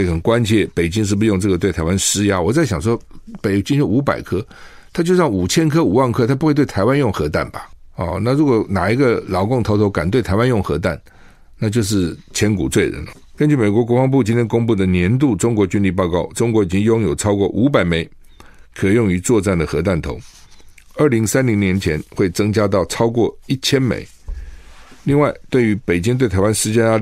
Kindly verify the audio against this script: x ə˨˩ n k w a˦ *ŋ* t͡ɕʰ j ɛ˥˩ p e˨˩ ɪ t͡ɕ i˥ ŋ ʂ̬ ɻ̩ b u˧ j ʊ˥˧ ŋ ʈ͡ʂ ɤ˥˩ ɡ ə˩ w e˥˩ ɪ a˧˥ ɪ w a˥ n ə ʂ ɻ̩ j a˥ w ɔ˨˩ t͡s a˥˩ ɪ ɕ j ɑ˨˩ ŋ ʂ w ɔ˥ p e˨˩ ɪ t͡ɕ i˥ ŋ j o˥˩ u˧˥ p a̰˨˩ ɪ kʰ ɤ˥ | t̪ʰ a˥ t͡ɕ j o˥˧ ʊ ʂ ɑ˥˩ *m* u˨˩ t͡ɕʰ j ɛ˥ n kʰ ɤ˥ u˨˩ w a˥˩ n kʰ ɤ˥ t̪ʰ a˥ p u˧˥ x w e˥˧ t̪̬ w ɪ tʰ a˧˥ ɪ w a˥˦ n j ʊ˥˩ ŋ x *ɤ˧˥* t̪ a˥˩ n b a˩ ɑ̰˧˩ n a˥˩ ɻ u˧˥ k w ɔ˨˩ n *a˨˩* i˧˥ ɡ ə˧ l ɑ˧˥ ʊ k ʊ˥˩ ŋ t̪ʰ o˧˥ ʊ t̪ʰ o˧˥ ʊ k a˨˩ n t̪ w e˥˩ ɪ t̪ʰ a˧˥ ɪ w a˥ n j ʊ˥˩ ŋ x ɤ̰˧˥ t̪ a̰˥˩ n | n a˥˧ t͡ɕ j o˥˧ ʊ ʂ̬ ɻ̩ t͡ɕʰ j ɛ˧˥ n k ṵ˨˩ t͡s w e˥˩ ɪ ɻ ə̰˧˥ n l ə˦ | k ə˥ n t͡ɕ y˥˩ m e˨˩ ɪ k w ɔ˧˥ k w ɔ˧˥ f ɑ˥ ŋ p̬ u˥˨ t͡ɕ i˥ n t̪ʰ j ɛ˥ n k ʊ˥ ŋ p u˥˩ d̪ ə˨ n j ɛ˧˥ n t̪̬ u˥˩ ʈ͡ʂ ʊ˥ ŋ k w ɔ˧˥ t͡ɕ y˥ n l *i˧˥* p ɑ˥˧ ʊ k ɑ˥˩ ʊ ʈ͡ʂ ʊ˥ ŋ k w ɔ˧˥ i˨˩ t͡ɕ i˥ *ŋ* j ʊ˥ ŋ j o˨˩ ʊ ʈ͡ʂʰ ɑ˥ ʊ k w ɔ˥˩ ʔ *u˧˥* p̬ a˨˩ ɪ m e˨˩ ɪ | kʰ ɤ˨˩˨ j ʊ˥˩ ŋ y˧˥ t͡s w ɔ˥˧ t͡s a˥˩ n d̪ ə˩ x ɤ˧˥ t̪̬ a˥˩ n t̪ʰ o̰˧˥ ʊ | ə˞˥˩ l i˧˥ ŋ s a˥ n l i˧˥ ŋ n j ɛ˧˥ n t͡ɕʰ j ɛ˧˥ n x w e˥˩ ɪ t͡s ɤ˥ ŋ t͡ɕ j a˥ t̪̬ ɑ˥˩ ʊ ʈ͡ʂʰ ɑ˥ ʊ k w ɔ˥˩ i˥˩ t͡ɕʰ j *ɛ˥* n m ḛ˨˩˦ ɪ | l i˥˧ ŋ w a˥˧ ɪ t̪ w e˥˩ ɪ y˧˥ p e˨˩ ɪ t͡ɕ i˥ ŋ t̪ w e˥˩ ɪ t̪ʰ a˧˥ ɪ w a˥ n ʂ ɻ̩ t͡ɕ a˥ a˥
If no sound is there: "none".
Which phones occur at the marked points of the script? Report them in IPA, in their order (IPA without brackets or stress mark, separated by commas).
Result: n, ŋ, ɤ˧˥, a˨˩, i˥˧, ŋ, u˧˥, ɛ˥